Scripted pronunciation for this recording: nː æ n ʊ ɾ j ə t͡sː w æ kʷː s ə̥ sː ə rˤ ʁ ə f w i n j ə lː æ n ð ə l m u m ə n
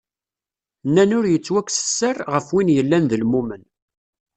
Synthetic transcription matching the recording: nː æ n ʊ ɾ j ə t͡sː w æ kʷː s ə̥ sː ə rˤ ʁ ə f w i n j ə lː æ n ð ə l m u m ə n

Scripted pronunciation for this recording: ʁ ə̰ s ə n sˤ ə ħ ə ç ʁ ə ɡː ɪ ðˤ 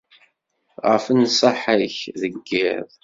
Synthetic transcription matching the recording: ʁ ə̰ f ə n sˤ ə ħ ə ç ð ə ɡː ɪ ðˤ

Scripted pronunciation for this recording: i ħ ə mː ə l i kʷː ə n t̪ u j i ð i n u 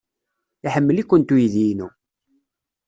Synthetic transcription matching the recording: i ħ ə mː ə l i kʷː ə n t̪ u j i ð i n u

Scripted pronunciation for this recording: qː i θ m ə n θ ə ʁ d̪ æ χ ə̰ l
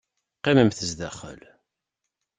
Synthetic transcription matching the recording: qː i m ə m θ ə z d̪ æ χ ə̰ l

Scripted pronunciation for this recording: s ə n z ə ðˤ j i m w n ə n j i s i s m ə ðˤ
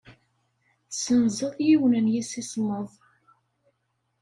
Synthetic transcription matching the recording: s ə n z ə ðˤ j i w n ə n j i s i s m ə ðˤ

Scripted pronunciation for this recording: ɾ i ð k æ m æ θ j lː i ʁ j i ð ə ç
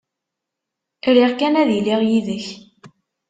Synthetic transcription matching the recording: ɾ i ʁ k æ n æ ð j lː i ʁ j i ð ə ç

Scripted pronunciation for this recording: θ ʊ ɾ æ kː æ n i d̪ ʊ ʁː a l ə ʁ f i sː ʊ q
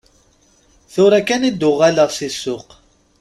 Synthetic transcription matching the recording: θ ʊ ɾ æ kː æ n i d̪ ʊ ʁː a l ə ʁ s i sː ʊ q

